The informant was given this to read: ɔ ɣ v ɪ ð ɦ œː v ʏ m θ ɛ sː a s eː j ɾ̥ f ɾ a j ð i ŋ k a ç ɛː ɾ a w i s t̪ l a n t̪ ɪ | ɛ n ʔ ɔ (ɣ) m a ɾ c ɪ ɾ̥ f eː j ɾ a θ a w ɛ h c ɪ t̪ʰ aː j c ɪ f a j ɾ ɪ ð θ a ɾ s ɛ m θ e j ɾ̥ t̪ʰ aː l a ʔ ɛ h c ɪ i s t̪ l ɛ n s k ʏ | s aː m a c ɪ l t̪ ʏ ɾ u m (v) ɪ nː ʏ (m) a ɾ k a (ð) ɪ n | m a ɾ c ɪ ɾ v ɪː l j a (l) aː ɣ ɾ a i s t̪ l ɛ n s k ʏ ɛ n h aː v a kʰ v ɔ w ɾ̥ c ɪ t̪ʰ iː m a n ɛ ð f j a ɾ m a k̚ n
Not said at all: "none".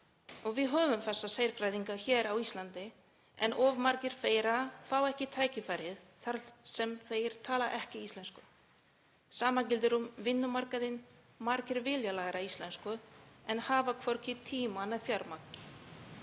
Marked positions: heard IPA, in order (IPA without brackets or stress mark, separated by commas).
v, v, m, ð, l